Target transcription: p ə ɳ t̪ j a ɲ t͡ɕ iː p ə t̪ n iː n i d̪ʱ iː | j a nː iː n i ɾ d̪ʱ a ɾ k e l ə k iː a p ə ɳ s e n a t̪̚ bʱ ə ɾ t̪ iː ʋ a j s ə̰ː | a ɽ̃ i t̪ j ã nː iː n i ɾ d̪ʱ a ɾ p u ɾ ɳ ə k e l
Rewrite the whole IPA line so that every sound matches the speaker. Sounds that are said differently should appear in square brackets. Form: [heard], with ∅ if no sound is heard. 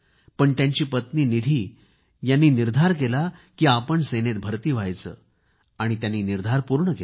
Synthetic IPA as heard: p ə ɳ t̪ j a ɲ t͡ɕ iː p ə t̪ n iː n i d̪ʱ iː | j a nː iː n i ɾ d̪ʱ a ɾ k e l [a] k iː a p ə ɳ s e n [e] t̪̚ bʱ ə ɾ t̪ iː ʋ a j [t͡s] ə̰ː | a ɽ̃ i t̪ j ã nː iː n i ɾ d̪ʱ a ɾ p u ɾ ɳ ə k e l